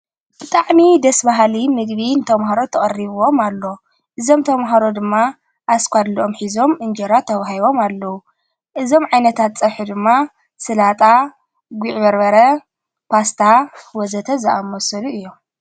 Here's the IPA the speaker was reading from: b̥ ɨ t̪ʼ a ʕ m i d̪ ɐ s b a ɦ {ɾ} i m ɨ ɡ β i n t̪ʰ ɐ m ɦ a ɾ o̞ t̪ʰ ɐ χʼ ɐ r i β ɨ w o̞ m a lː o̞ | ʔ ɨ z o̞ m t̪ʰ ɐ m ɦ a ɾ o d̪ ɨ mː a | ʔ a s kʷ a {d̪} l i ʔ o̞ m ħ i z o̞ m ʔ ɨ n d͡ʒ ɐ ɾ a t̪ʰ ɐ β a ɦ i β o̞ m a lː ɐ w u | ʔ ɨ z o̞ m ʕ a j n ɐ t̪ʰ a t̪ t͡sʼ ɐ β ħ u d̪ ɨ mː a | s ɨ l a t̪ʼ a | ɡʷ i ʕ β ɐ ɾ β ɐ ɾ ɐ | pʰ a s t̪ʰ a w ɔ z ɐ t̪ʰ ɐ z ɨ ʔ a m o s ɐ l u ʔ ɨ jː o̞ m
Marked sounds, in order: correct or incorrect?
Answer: incorrect, correct

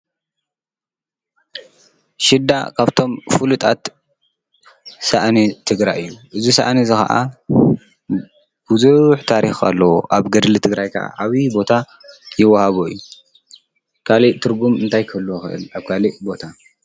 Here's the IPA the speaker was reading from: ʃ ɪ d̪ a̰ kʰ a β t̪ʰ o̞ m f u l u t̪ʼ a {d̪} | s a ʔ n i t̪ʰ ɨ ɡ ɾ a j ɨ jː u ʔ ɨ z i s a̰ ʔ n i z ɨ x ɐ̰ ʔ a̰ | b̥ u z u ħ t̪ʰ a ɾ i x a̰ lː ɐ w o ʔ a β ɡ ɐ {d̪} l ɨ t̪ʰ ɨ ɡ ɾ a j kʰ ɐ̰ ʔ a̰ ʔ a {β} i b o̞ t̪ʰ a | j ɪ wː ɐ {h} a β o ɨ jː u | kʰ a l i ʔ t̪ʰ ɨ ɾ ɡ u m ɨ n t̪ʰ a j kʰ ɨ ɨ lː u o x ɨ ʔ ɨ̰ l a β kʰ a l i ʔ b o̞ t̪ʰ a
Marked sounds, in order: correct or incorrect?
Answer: incorrect, correct, correct, correct

